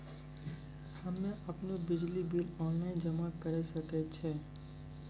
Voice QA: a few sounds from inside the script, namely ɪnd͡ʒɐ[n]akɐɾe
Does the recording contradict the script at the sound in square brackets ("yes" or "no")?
yes